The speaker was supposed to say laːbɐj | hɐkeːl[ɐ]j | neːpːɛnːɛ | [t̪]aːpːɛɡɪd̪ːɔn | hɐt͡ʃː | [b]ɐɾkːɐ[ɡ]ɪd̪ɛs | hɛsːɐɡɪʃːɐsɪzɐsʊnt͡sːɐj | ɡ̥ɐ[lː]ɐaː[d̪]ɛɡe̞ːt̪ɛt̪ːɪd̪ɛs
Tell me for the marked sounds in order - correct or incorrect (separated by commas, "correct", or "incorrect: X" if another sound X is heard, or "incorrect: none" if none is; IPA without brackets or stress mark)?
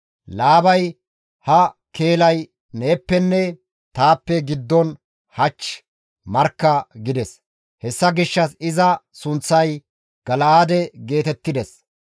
correct, correct, incorrect: m, correct, incorrect: l, correct